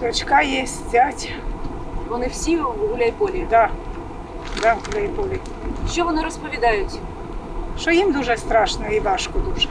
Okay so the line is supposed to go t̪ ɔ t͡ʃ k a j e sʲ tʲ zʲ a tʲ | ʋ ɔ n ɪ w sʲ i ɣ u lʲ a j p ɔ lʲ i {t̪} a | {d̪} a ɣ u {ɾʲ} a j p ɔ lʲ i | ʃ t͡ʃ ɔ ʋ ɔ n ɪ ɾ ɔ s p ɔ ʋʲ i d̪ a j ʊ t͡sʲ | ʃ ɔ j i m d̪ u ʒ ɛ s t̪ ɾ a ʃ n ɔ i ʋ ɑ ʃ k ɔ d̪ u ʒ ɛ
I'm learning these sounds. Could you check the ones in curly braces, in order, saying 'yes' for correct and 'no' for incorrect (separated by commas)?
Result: no, yes, no